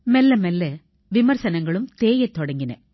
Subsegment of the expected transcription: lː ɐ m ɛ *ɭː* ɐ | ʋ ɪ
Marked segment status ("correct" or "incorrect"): incorrect